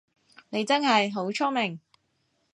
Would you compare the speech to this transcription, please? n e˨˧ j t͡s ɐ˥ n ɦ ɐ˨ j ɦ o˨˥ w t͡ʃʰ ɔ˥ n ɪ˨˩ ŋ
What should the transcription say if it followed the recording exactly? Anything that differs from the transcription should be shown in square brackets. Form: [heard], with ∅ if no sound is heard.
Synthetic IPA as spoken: n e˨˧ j t͡s ɐ˥ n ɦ ɐ˨ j ɦ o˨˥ w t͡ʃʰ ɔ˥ [m] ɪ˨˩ ŋ